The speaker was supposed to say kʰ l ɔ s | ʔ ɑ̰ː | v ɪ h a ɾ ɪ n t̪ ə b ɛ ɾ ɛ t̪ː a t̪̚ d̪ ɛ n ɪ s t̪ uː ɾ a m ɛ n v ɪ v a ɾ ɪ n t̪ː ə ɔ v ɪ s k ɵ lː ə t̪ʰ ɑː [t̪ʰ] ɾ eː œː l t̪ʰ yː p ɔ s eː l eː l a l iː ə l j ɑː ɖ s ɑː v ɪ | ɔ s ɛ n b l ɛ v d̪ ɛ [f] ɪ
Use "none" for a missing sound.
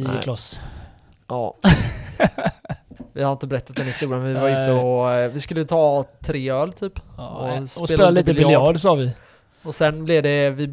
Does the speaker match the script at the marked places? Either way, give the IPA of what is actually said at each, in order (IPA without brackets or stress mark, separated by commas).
t̪ʰ, v